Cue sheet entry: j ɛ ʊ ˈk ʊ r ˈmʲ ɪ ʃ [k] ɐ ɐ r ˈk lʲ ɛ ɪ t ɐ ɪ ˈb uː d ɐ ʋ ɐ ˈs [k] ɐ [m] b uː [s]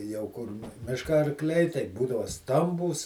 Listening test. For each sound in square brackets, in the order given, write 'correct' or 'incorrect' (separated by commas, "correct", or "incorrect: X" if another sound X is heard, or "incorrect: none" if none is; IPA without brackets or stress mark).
correct, incorrect: t, correct, correct